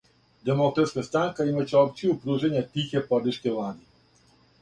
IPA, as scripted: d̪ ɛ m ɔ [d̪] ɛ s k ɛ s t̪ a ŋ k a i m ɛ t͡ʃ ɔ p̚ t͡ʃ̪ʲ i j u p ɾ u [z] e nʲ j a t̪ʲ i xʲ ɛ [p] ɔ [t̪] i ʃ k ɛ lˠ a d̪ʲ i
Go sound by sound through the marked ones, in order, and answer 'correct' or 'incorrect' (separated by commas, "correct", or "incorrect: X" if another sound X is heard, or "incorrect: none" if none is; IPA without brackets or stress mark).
incorrect: t̪, incorrect: ʒ, correct, incorrect: d̪